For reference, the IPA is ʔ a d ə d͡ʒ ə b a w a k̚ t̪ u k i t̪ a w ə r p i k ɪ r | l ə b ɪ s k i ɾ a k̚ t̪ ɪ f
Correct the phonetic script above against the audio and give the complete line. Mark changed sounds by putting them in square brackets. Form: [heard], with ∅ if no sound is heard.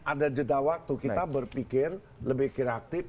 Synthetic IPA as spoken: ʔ a d [a] d͡ʒ ə [d] a w a k̚ t̪ u k i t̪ a [b] ə r p i k ɪ r | l ə b ɪ [h] k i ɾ a k̚ t̪ ɪ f

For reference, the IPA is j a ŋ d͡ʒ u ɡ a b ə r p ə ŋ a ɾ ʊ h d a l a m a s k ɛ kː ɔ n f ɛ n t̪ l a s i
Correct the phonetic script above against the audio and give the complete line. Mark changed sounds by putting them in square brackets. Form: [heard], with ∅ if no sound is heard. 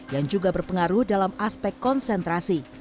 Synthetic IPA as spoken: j a ŋ d͡ʒ u ɡ a b ə r p ə ŋ a ɾ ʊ h d a l a m a s [p] ɛ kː ɔ n [s] ɛ n t̪ [ɾ] a s i

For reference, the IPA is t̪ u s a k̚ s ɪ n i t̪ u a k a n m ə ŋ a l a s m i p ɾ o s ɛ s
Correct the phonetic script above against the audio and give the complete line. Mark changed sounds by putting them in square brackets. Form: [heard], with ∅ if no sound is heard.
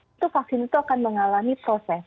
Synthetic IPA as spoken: t̪ u [f] a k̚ s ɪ n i t̪ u a k a n m ə ŋ a l a [∅] m i p ɾ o s ɛ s

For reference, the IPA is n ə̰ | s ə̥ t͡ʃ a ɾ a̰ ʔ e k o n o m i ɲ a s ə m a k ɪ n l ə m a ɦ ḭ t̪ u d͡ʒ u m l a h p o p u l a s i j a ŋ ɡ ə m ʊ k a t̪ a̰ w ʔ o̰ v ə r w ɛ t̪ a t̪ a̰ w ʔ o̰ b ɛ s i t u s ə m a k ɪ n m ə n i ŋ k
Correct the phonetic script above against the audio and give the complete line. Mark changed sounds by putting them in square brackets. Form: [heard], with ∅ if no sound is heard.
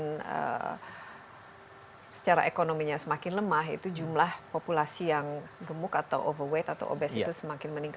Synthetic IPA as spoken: n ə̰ | s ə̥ t͡ʃ a ɾ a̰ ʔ e k o n o m i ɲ a s ə m a k ɪ n l ə m a ɦ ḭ t̪ u d͡ʒ u m l a h p o p u l a s i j a ŋ ɡ ə m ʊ k a t̪ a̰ w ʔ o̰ v ə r w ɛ t̪ a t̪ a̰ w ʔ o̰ b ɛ s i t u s ə m a k ɪ n m ə n i ŋ k

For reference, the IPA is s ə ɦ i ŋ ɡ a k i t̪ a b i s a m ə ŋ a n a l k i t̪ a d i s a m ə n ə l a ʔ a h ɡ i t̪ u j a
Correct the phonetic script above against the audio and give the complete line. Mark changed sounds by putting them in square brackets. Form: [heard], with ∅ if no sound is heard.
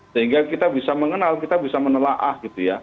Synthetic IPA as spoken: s ə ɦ i ŋ ɡ a k i t̪ a b i s a m ə ŋ [ə] n a l k i t̪ a [b] i s a m ə n ə l a ʔ a h ɡ i t̪ u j a

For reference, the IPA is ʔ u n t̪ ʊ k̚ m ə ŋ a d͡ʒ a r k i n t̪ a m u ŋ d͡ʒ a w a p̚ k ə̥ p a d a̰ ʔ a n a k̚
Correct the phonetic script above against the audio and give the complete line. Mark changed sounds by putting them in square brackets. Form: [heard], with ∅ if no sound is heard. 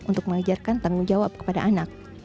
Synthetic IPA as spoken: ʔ u n t̪ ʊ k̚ m ə ŋ a d͡ʒ a r k [a] n t̪ a [ŋ] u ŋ d͡ʒ a w a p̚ k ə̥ p a d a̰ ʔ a n a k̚

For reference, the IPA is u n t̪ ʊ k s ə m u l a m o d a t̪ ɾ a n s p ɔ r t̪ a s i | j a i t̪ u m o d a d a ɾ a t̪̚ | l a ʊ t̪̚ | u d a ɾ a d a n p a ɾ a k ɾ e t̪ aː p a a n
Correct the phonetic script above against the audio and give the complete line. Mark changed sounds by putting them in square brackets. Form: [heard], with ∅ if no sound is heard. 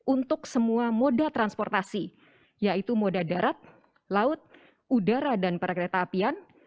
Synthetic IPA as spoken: u n t̪ ʊ k s ə m u [∅] a m o d a t̪ ɾ a n s p ɔ r t̪ a s i | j a i t̪ u m o d a d a ɾ a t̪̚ | l a ʊ t̪̚ | u d a ɾ a d a n p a ɾ a k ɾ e t̪ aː p [i] a n

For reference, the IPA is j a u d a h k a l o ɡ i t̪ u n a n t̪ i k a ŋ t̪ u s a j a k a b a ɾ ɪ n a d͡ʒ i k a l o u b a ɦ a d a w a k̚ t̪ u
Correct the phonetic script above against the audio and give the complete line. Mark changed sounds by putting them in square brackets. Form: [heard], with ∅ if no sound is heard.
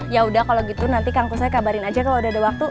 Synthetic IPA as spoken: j a u d a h k a l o ɡ i t̪ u n a n t̪ i k a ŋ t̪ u s a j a k a b a ɾ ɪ n a d͡ʒ [a] k a l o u [d] a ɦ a d a w a k̚ t̪ u

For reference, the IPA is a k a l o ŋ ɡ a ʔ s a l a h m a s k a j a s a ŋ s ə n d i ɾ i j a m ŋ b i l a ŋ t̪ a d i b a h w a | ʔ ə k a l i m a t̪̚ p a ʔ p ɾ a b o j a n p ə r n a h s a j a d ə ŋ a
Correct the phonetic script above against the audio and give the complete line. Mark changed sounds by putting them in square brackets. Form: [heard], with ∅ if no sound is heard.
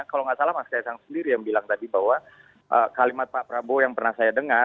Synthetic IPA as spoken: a k a l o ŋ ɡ a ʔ s a l a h m a s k a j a s a ŋ s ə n d i ɾ i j a [∅] ŋ b i l a ŋ t̪ a d i b a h w a | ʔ ə k a l i m a t̪̚ p a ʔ p ɾ a b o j a [ŋ] p ə r n a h s a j a d ə ŋ a

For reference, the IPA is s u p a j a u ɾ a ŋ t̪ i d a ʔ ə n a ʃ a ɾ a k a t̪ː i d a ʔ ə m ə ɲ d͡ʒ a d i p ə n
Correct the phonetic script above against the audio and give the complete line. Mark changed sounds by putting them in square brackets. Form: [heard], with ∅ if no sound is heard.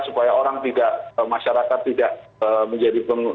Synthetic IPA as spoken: s u p a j a [o] ɾ a ŋ t̪ i d a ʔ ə [m] a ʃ a ɾ a k a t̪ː i d a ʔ ə m ə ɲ d͡ʒ a d i p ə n

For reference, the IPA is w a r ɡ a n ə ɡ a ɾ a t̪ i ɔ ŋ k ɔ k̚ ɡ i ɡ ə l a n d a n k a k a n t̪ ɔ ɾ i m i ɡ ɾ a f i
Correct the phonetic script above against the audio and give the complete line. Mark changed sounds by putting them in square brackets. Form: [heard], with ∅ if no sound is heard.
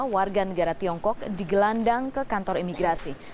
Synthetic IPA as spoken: w a r ɡ a n ə ɡ a ɾ a t̪ i ɔ ŋ k ɔ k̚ [d] i ɡ ə l a n d a [ŋ] k [ə] k a n t̪ ɔ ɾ i m i ɡ ɾ a [s] i

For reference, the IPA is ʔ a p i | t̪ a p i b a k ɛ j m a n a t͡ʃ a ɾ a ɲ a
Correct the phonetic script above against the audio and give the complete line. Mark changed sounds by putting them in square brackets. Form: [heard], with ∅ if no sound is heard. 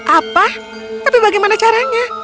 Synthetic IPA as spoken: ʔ a p [a] | t̪ a p i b a [ɡ] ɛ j m a n a t͡ʃ a ɾ a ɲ a

